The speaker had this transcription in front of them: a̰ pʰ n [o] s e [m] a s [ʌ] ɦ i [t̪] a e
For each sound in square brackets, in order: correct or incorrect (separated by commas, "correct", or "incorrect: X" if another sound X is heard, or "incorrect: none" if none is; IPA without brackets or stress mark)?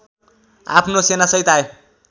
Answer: correct, incorrect: n, correct, correct